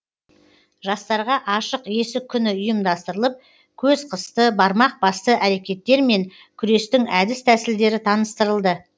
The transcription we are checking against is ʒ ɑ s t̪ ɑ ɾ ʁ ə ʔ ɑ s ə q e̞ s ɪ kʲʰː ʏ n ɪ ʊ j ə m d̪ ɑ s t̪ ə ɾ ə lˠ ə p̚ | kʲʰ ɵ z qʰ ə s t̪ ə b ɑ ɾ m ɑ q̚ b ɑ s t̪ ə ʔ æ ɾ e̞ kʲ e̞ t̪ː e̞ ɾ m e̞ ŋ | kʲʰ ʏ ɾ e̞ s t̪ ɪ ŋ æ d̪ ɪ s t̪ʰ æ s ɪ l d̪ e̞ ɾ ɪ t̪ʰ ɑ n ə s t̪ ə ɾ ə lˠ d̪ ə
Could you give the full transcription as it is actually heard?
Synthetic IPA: ʒ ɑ s t̪ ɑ ɾ ʁ ɑ ʔ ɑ ʃ ə q e̞ s ɪ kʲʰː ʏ n ɪ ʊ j ə m d̪ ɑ s t̪ ə ɾ ə lˠ ə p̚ | kʲʰ ɵ z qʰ ə s t̪ ə b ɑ ɾ m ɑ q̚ b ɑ s t̪ ə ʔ æ ɾ e̞ kʲ e̞ t̪ː e̞ ɾ m e̞ ŋ | kʲʰ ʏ ɾ e̞ s t̪ ɪ ŋ æ d̪ ɪ s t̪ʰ æ s ɪ l d̪ e̞ ɾ ɪ t̪ʰ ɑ n ə s t̪ ə ɾ ə lˠ d̪ ə